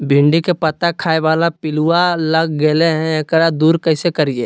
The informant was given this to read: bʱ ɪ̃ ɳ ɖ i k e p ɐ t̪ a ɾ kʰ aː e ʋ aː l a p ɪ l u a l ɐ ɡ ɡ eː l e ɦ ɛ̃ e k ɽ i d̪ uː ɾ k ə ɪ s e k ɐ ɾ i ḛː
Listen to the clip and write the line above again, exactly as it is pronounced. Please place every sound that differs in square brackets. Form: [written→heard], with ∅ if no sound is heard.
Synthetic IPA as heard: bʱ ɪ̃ ɳ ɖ i k e p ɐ t̪ a [ɾ→∅] kʰ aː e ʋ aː l a p ɪ l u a l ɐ ɡ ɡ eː l e ɦ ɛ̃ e k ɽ [i→a] d̪ uː ɾ k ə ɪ s e k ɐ ɾ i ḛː